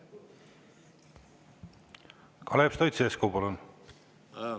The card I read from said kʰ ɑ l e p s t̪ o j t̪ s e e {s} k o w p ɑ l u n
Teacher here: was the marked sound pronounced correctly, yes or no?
yes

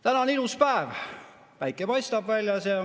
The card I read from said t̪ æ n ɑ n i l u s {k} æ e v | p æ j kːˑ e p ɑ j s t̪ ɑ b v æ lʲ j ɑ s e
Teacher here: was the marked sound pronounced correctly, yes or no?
no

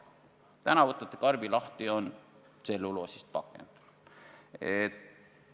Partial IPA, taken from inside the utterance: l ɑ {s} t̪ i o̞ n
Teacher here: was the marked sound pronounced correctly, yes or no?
no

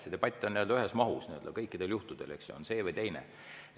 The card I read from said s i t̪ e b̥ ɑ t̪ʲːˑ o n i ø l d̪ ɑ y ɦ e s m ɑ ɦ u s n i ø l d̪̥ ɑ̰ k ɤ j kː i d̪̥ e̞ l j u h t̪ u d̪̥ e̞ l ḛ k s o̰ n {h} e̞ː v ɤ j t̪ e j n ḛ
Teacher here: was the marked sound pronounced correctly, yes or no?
no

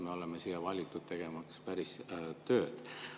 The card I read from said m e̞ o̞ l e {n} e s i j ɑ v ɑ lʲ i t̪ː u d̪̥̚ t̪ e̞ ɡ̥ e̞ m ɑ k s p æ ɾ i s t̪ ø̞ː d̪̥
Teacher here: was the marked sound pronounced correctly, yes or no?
no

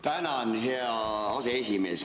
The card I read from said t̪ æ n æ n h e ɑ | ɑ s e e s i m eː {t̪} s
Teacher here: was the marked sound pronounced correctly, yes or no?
no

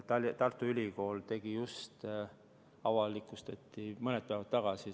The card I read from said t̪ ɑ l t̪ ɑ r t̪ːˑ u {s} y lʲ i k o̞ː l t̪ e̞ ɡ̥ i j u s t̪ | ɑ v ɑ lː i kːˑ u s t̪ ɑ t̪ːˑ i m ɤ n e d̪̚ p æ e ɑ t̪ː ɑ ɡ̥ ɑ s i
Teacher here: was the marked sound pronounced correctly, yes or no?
no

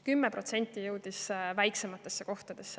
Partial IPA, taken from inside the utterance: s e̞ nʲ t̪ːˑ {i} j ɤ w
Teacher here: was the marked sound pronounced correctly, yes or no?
yes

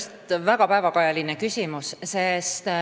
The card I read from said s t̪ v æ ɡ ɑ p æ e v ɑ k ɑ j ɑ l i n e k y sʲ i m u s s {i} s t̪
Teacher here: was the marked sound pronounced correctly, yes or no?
no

